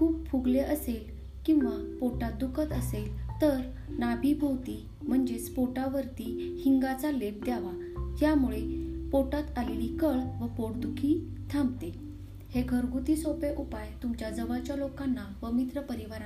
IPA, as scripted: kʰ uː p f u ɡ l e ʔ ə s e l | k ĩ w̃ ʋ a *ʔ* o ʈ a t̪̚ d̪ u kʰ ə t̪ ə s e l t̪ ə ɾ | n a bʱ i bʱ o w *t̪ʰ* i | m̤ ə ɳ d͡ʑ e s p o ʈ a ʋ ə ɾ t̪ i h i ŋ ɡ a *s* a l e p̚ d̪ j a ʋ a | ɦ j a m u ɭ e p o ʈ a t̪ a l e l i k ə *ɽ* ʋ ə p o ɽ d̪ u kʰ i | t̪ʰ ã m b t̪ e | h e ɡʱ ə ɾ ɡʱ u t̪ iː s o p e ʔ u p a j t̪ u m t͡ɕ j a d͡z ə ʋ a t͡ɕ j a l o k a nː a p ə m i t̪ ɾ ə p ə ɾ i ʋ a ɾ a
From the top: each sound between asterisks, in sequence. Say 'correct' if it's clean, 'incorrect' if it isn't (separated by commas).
incorrect, incorrect, incorrect, incorrect